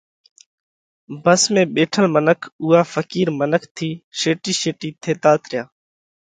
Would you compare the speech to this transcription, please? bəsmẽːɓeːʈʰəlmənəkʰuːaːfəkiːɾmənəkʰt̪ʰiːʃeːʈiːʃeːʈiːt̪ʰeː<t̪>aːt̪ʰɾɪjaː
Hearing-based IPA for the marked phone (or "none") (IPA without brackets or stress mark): t̪